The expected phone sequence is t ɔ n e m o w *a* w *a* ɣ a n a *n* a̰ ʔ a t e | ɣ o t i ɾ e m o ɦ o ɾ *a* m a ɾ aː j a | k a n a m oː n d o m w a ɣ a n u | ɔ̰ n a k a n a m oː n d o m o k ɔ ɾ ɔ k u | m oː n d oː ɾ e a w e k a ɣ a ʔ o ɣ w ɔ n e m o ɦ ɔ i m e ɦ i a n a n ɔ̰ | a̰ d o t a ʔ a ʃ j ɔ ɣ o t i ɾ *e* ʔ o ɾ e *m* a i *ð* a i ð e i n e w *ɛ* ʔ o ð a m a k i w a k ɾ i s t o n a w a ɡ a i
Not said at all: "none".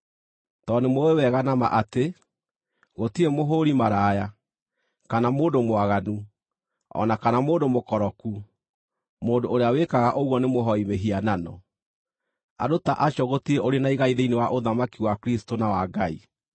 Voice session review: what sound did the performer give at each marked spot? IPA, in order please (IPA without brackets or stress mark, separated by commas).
e, ɛ, m, i, e, n, ɣ, a